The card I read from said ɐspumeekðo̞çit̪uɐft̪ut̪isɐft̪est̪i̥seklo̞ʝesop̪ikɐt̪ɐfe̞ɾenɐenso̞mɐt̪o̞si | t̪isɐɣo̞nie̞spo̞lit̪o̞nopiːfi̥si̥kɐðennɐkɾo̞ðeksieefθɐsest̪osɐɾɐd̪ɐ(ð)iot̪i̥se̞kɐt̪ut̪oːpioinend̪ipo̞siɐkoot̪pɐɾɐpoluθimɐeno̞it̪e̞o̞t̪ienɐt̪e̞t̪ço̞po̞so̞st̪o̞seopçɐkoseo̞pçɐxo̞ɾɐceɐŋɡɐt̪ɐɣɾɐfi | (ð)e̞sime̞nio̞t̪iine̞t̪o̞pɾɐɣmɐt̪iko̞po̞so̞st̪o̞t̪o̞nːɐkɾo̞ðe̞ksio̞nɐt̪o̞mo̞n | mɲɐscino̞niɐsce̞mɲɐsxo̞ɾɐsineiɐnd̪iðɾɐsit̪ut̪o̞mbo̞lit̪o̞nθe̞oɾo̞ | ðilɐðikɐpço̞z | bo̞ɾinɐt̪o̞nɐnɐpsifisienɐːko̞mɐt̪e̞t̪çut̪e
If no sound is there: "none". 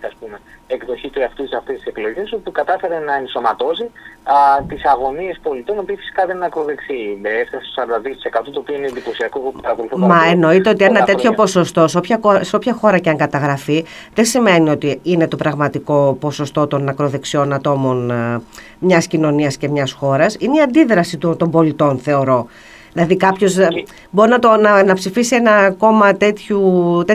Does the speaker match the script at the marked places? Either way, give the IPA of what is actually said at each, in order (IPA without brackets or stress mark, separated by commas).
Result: ð, ð